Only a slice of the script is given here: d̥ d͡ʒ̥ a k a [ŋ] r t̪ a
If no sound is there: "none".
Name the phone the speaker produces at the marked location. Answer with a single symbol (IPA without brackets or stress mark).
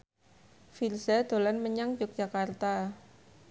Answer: none